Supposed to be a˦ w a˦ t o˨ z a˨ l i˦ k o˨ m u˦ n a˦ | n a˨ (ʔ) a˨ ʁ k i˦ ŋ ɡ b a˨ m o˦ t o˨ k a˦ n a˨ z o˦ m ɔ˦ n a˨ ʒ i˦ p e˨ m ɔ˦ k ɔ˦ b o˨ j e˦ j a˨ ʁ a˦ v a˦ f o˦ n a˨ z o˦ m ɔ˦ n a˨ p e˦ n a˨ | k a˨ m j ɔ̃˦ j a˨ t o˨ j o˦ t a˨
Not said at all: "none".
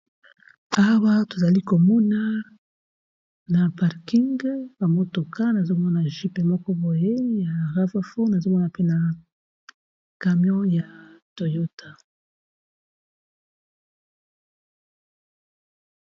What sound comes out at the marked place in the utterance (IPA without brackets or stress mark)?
p